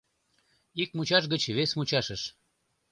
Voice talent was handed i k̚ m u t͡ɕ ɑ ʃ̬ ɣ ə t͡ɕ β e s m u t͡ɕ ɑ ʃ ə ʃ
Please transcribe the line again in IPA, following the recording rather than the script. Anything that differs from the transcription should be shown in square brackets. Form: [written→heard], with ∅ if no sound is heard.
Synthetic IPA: i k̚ m u t͡ɕ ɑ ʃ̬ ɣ ə t͡ɕ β e s m u t͡ɕ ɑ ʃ ə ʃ